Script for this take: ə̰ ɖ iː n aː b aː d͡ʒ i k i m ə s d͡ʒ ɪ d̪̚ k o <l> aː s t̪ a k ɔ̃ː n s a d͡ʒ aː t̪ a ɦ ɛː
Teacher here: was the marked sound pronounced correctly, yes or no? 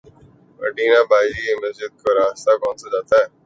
no